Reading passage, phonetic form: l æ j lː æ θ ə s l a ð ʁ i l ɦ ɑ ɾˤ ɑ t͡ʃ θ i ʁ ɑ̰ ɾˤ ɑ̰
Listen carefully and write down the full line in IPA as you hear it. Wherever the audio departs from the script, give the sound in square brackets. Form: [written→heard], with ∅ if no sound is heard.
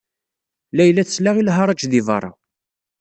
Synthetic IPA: l æ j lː æ θ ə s l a [ð→∅] ʁ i l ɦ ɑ ɾˤ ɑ t͡ʃ [θ→ð] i [ʁ→v] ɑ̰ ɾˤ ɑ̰

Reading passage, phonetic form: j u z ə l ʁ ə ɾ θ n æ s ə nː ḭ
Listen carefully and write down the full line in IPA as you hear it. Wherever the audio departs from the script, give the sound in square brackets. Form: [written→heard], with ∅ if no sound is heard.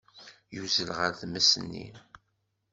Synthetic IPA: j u z ə l ʁ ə ɾ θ [n→m] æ s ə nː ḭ

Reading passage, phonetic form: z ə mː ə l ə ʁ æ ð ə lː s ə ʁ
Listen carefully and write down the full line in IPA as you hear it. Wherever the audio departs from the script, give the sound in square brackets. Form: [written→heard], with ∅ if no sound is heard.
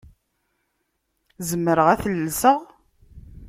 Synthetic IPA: z ə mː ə [l→ɾ] ə ʁ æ [ð→θ] ə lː s ə ʁ

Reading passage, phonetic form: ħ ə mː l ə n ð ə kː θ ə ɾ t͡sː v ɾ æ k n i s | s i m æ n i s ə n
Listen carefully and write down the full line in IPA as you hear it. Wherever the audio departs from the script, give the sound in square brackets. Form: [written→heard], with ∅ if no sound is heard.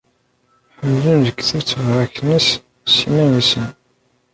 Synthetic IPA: ħ ə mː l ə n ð ə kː θ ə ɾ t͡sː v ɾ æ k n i s | s i m æ n i s ə n

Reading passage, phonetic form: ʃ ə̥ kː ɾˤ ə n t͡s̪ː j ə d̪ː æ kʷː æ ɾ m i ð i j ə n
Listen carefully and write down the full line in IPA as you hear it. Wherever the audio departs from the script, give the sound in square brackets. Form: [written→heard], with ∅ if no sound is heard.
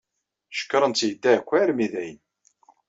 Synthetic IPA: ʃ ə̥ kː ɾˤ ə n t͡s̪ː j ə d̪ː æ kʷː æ ɾ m i ð [i→æ] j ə n

